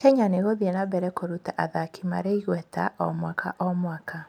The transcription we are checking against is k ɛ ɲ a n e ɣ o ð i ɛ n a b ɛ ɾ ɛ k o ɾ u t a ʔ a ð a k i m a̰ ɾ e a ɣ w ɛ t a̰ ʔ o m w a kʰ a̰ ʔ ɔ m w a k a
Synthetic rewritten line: k ɛ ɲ a n e ɣ o ð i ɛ n a b ɛ ɾ ɛ k o ɾ u t a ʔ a ð a k i m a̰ ɾ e i ɣ w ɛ t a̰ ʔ ɔ m w a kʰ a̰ ʔ ɔ m w a k a